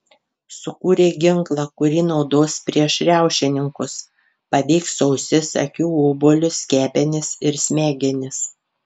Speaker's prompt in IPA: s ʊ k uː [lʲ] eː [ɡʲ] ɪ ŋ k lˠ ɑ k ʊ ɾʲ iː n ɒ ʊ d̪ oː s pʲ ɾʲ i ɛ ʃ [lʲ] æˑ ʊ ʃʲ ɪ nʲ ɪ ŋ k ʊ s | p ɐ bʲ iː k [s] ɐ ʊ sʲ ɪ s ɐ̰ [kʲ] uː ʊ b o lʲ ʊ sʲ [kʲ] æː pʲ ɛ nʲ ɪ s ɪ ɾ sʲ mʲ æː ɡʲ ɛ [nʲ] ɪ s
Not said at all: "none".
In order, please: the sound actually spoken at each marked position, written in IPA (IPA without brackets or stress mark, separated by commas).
ɾʲ, ɡʲ, ɾʲ, s, kʲ, kʲ, nʲ